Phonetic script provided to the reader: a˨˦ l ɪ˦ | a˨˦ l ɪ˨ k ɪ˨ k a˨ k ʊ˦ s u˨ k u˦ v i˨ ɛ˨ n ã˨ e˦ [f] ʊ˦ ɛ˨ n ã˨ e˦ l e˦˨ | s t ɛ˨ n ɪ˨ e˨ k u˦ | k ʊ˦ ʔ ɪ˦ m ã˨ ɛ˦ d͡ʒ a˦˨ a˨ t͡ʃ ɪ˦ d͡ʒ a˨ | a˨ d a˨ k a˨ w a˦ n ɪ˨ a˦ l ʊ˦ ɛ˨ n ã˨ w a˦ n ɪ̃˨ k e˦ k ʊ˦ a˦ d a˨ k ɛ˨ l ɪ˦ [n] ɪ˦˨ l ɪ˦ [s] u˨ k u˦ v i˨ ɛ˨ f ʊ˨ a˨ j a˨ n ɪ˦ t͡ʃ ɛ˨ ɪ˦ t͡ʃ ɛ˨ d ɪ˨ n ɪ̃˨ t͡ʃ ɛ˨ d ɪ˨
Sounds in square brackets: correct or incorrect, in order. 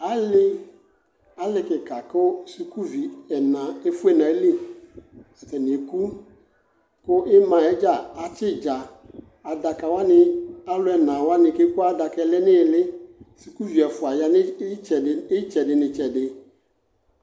correct, correct, correct

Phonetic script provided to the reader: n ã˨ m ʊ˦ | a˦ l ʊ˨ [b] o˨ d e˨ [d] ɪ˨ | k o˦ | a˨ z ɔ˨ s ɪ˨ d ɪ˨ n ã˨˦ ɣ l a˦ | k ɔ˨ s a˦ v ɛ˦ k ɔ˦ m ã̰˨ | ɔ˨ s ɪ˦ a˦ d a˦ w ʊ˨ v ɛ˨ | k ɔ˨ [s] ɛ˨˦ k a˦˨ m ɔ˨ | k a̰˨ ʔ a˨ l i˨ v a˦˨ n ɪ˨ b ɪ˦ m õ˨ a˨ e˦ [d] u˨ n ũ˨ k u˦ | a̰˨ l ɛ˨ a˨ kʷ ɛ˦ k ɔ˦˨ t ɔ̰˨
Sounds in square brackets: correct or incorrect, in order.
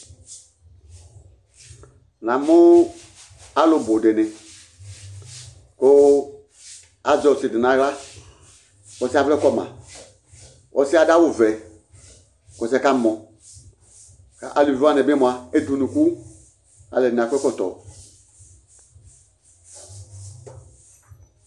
correct, incorrect: n, correct, correct

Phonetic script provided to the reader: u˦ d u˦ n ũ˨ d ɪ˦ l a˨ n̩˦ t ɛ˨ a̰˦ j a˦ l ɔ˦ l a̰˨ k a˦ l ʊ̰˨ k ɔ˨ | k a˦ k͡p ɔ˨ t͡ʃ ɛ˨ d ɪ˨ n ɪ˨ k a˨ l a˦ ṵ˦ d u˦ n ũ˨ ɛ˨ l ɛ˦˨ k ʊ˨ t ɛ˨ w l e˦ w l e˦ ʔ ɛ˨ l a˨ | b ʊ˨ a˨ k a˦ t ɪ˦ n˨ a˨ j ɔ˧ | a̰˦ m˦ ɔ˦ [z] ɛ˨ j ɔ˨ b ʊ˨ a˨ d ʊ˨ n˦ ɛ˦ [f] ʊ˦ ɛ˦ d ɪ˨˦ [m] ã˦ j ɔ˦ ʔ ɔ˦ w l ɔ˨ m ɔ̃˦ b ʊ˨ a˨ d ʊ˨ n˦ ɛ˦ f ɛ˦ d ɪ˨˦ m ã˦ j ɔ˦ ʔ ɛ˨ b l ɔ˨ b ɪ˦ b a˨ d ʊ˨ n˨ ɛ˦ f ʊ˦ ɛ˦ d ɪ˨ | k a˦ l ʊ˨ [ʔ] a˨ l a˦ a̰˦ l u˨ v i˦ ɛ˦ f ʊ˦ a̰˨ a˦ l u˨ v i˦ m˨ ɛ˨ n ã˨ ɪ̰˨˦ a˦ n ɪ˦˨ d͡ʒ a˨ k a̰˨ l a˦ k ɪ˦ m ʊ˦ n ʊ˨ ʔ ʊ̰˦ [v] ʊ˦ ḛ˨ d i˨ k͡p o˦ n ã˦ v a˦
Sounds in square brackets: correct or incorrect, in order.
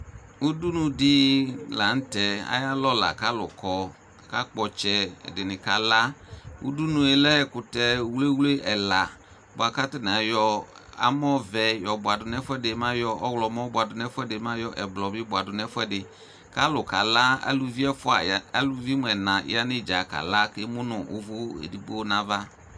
incorrect: v, correct, correct, incorrect: k, correct

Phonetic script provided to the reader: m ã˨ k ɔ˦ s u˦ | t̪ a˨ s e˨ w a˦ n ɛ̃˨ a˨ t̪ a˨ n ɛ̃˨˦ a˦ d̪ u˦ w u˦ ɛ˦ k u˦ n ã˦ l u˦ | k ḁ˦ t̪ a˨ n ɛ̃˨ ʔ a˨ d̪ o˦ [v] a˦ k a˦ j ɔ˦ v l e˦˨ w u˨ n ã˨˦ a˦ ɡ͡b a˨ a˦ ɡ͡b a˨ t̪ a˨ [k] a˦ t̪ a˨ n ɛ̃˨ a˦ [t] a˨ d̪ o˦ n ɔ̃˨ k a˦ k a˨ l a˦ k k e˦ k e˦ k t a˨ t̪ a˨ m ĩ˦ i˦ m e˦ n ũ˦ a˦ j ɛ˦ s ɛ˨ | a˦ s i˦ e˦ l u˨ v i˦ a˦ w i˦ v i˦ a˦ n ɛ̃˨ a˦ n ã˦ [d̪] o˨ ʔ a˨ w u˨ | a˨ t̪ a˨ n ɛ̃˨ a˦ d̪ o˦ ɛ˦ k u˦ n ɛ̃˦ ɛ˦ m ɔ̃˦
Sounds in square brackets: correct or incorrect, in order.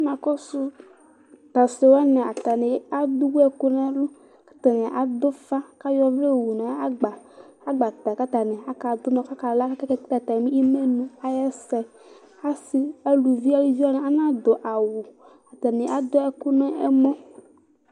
incorrect: f, correct, incorrect: k, correct

